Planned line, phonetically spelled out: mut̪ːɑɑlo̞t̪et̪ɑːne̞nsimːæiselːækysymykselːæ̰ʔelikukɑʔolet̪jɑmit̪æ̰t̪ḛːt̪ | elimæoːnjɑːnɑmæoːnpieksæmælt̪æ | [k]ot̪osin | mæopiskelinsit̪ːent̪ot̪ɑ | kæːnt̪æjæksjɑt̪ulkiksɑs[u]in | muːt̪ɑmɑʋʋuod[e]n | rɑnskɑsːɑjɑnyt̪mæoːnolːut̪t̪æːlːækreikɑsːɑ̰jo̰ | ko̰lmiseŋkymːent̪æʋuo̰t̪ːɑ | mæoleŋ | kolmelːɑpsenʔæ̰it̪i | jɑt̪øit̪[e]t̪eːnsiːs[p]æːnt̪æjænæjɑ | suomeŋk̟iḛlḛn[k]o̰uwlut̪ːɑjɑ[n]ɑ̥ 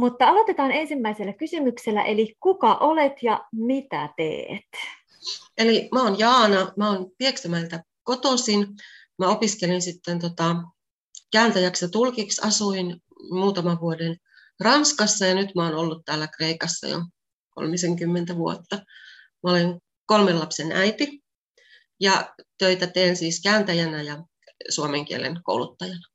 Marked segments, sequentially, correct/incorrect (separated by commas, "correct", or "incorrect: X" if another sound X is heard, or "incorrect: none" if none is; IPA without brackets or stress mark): correct, correct, correct, incorrect: æ, incorrect: k, correct, correct